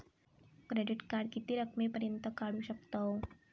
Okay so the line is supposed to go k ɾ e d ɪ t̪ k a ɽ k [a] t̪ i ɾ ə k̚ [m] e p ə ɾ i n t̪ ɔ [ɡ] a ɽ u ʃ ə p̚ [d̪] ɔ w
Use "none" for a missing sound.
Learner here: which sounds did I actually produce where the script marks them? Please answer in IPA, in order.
i, m, k, t̪

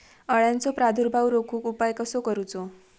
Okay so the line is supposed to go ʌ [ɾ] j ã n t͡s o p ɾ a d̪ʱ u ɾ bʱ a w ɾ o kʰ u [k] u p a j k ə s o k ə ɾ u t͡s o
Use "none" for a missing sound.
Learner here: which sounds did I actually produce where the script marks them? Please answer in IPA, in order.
ɭ, k

